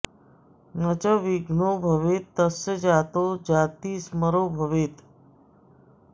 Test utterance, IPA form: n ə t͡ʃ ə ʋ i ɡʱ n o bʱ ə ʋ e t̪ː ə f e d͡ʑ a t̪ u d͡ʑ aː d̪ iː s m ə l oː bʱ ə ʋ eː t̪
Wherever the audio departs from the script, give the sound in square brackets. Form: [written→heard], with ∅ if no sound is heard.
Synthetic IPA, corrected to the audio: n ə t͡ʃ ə ʋ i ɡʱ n o bʱ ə ʋ e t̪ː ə [f→s] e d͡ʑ a t̪ [u→o] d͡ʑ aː [d̪→t̪] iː s m ə [l→ɾ] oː bʱ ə ʋ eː t̪

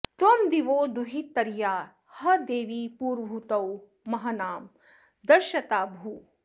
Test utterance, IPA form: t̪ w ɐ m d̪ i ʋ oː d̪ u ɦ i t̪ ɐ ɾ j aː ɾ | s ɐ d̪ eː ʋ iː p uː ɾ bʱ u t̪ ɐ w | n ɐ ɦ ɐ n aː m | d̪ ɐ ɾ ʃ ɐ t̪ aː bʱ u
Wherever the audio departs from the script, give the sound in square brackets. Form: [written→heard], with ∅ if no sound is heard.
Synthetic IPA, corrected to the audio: t̪ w ɐ m d̪ i ʋ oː d̪ u ɦ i t̪ ɐ ɾ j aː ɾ | [s→h] ɐ d̪ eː ʋ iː p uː ɾ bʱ u t̪ ɐ w | [n→m] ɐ ɦ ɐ n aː m | d̪ ɐ ɾ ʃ ɐ t̪ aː bʱ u

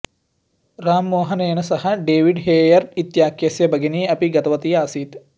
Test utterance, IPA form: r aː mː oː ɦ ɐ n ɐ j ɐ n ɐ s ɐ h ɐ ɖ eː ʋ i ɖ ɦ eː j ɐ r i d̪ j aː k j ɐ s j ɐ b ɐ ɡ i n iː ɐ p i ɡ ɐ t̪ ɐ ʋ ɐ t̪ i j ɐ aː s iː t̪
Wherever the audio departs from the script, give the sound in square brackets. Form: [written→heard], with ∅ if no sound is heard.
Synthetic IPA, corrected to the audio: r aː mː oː ɦ ɐ n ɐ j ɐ n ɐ s ɐ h ɐ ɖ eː ʋ i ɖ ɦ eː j ɐ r i [d̪→t̪] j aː k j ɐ s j ɐ b ɐ ɡ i n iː ɐ p i ɡ ɐ t̪ ɐ ʋ ɐ t̪ i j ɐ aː s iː t̪

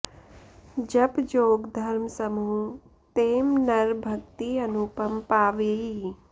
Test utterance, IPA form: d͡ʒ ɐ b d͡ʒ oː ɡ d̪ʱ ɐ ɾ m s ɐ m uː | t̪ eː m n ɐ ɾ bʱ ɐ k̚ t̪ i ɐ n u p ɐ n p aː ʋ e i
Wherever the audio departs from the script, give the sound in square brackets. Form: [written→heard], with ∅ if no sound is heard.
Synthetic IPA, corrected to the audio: d͡ʒ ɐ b d͡ʒ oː ɡ d̪ʱ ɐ ɾ m s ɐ m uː | t̪ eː m n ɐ ɾ bʱ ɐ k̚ t̪ i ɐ n u p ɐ [n→m] p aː ʋ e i

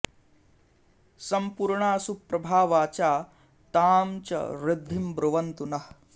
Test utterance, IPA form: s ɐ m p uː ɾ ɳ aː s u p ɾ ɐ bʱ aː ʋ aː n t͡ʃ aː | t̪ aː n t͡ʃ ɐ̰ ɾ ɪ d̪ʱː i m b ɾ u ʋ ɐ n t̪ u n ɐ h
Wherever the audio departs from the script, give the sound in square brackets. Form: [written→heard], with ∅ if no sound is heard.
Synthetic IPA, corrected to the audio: s ɐ m p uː ɾ ɳ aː s u p ɾ ɐ bʱ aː ʋ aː [n→∅] t͡ʃ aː | t̪ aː [n→m] t͡ʃ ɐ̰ ɾ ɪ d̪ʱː i m b ɾ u ʋ ɐ n t̪ u n ɐ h

